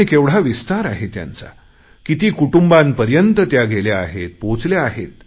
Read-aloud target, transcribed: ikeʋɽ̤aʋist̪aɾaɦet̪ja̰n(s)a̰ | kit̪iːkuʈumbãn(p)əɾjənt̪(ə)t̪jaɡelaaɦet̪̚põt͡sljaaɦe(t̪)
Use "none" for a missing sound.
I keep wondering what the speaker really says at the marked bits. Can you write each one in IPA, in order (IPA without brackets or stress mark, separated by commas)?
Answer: t͡s, p, ə, t̪